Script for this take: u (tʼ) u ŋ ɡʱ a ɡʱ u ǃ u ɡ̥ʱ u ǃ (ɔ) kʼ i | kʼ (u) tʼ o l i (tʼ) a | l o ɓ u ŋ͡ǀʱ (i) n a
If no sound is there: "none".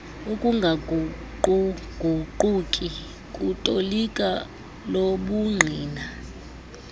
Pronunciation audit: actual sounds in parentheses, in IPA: kʼ, u, u, kʼ, iː

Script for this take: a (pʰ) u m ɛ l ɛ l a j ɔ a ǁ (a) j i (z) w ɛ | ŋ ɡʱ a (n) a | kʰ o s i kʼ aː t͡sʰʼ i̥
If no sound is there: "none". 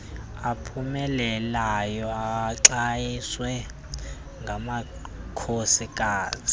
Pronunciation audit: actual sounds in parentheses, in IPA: pʰ, a, s, m

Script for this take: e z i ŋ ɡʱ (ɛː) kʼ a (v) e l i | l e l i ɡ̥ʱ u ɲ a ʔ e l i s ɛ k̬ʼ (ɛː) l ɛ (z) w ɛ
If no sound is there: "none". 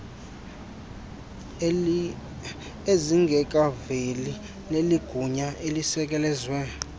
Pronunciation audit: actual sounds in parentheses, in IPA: ɛ, v, ɛ, z

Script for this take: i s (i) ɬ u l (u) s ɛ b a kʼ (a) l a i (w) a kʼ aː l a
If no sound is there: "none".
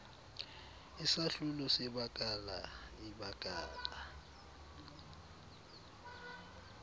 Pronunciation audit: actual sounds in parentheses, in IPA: a, ɔ, a, b

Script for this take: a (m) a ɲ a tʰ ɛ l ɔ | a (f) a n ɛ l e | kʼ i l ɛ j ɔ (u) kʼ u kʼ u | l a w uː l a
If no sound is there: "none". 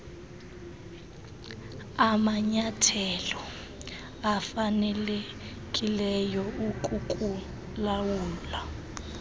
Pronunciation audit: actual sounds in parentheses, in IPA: m, f, u

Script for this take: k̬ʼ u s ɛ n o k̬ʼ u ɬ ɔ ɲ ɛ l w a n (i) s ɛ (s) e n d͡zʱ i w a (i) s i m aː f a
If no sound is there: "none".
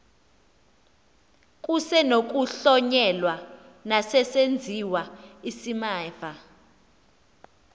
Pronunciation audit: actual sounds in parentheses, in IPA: a, s, i

